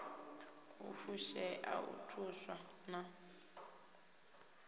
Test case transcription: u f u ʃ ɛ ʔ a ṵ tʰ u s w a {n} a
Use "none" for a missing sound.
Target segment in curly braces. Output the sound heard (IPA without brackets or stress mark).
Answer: n